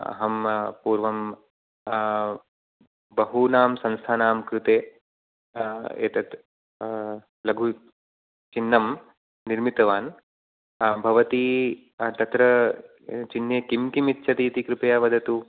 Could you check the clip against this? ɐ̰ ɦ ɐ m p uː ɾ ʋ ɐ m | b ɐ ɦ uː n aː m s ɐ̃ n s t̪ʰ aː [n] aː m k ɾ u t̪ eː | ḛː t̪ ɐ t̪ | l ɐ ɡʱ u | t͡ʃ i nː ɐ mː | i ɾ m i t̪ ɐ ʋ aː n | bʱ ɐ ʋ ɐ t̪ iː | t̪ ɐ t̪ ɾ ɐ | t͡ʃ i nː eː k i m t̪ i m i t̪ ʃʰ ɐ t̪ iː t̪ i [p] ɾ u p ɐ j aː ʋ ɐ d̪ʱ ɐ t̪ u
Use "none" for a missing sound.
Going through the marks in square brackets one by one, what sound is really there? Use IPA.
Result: n, k

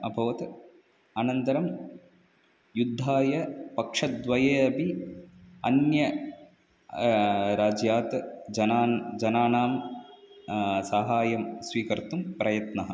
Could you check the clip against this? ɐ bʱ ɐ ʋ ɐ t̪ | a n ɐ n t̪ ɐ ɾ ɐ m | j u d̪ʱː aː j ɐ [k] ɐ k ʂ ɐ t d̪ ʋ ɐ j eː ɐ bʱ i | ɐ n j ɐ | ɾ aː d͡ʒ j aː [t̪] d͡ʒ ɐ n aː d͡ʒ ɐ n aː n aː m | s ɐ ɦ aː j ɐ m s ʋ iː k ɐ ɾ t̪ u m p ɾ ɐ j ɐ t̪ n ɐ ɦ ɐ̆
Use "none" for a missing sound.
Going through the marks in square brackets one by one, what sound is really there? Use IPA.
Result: p, t̪

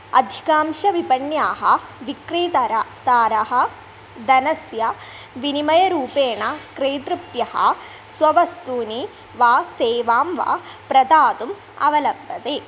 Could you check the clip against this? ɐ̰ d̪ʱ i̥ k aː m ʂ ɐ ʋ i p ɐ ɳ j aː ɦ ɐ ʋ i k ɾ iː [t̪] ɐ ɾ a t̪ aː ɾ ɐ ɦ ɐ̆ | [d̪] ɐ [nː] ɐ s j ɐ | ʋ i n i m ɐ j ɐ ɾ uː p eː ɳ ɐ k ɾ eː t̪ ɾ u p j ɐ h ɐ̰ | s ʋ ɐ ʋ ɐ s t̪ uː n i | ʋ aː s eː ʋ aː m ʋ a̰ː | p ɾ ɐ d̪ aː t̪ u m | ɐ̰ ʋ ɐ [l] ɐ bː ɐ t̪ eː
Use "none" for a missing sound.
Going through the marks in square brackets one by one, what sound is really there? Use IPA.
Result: t̪, d̪, n, l

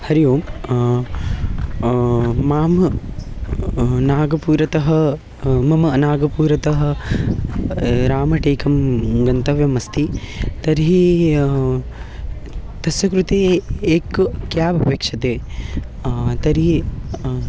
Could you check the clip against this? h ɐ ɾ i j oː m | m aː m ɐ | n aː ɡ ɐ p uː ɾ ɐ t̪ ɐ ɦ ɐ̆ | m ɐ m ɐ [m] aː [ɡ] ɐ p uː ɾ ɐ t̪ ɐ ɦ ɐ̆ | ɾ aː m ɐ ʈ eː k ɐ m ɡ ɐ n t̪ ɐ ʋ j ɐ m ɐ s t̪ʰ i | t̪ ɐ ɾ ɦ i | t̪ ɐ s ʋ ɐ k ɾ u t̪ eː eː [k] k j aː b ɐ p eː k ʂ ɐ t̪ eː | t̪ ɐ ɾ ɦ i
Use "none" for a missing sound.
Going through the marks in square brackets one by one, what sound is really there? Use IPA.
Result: n, ɡ, k

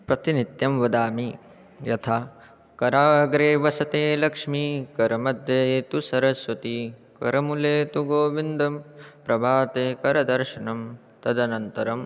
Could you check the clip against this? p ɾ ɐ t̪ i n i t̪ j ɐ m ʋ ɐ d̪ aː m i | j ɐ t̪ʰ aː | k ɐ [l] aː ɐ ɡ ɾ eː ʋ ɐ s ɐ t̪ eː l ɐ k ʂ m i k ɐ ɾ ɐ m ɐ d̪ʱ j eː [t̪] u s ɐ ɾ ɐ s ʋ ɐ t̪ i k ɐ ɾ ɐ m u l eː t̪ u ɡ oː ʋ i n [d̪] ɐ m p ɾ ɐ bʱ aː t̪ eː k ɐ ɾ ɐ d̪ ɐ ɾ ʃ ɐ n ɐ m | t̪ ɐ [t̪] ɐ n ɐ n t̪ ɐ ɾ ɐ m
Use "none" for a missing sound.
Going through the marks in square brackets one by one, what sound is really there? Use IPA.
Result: ɾ, t̪, d̪, d̪

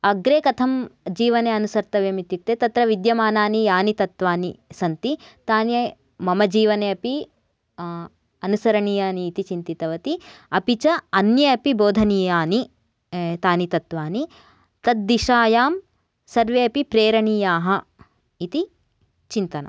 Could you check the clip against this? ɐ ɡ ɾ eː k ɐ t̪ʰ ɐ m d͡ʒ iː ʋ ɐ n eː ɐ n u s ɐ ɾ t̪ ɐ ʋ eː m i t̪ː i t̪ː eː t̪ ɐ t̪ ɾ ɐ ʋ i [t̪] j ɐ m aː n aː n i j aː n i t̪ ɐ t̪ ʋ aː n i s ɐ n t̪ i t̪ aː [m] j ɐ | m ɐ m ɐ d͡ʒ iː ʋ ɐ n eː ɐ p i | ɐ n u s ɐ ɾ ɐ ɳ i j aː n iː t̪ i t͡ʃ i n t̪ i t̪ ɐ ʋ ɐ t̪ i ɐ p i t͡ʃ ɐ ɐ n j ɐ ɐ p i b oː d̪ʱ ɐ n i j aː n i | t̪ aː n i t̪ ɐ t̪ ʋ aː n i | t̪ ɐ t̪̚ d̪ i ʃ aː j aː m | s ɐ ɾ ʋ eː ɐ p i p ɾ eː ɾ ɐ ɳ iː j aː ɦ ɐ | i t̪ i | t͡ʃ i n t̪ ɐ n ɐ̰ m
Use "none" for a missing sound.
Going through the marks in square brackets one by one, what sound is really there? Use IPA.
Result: d̪, n

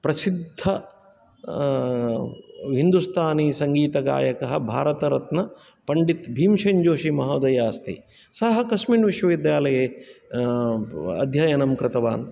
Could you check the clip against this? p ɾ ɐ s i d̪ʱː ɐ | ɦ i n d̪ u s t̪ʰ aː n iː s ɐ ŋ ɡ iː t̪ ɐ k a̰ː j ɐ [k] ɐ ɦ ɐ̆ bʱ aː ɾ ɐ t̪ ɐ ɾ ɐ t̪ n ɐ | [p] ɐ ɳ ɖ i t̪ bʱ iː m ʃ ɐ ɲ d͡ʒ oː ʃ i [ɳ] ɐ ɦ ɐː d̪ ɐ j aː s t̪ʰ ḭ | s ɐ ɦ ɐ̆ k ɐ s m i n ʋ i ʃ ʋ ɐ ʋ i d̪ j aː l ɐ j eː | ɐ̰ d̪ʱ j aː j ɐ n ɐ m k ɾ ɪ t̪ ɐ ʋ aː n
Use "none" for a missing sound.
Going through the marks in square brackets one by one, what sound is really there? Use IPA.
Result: k, p, m

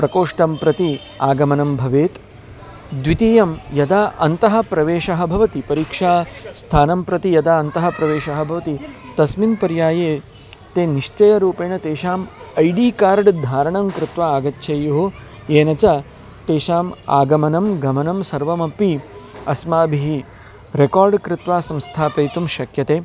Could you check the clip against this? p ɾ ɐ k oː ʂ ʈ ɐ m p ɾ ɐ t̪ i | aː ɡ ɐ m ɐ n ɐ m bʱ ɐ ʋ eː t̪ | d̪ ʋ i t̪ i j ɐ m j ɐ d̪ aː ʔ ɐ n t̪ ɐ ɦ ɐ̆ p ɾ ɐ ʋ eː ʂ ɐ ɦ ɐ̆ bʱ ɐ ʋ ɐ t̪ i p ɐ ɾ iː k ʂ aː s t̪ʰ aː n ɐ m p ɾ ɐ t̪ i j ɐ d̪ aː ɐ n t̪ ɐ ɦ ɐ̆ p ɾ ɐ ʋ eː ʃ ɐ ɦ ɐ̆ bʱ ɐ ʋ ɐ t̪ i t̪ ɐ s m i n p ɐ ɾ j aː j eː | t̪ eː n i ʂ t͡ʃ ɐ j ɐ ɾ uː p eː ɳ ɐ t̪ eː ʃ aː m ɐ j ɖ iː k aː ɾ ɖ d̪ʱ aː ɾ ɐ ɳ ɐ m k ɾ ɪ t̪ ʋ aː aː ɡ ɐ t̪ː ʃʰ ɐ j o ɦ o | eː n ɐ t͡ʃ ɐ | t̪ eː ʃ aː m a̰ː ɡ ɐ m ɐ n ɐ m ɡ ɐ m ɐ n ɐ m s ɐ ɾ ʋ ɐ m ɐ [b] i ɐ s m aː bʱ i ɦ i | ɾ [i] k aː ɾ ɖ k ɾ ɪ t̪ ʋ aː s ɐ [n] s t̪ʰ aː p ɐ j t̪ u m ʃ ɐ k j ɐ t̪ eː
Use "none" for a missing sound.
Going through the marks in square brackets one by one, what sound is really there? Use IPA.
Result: p, e, m

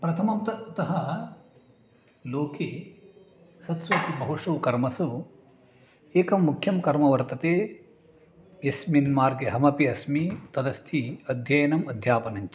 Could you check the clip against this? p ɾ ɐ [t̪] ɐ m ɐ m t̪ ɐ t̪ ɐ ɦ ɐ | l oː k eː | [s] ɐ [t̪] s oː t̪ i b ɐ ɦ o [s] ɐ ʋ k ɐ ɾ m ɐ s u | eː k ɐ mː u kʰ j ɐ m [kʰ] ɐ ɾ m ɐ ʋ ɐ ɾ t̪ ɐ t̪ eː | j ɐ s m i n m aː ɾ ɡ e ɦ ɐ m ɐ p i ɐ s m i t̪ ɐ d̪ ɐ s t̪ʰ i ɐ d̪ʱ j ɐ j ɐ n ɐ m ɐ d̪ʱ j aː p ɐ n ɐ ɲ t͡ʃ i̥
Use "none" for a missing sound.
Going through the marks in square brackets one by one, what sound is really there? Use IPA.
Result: t̪ʰ, s, t̪, ʂ, k

